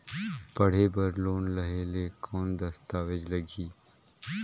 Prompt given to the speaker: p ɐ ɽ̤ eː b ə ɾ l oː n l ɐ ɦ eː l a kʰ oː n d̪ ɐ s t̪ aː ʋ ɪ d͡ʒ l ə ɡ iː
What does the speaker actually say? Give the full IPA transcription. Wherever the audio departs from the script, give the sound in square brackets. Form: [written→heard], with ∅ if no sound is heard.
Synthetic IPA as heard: p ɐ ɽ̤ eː b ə ɾ l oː n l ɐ ɦ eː l [a→e] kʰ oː n d̪ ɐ s t̪ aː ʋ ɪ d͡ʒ l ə ɡ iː